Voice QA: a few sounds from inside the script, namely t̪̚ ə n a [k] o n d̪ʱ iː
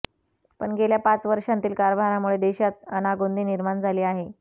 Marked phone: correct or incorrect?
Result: incorrect